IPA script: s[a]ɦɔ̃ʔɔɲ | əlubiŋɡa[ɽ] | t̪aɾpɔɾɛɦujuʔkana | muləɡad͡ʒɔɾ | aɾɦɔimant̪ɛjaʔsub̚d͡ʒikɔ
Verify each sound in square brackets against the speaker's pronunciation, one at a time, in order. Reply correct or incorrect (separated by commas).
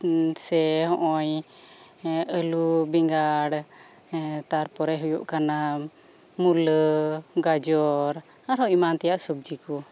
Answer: incorrect, correct